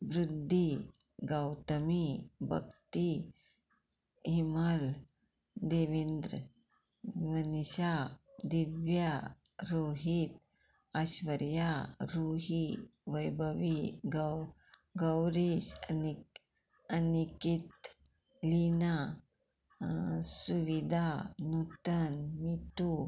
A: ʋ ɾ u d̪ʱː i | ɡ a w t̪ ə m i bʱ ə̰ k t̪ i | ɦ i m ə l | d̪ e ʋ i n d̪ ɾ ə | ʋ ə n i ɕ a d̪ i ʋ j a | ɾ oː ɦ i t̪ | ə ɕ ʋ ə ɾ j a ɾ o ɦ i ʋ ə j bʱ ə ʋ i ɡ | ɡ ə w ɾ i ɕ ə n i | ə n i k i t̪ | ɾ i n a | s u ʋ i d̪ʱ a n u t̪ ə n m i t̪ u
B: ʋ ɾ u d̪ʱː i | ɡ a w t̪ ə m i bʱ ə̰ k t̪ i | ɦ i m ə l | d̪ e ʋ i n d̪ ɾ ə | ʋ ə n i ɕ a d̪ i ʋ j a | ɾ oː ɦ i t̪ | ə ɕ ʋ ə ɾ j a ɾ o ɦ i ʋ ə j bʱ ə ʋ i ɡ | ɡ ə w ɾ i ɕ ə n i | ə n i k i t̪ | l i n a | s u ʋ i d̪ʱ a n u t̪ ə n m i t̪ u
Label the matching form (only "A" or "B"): B